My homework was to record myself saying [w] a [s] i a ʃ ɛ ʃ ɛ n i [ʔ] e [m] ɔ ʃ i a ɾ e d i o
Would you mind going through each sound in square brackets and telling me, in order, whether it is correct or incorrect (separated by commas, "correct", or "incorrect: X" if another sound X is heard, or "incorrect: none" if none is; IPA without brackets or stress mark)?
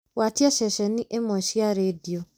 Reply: correct, incorrect: t, correct, correct